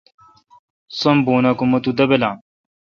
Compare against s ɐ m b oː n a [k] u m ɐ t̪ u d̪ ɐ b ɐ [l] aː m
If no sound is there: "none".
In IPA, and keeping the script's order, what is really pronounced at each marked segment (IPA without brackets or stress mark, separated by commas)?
k, l